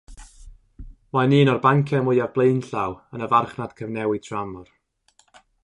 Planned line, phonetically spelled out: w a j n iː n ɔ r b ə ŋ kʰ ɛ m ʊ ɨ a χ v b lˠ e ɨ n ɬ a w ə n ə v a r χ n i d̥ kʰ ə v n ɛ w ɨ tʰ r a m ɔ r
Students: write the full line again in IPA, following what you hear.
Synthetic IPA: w a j n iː n ɔ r b a ŋ kʰ ɛ m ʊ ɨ a v b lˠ e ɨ n ɬ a w ə n ə v a r χ n a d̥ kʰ ə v n ɛ w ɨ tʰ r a m ɔ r